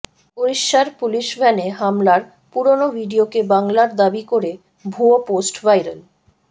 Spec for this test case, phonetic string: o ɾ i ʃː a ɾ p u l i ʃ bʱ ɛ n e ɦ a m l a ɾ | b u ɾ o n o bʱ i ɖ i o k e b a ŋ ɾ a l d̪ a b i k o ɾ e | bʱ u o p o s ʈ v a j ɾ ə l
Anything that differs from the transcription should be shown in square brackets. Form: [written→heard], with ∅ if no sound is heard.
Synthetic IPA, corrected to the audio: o ɾ i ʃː a ɾ p u l i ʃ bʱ ɛ n e ɦ a m l a ɾ | [b→p] u ɾ o n o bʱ i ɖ i o k e b a ŋ [ɾ→l] a [l→ɾ] d̪ a b i k o ɾ e | bʱ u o p o s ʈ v a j ɾ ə l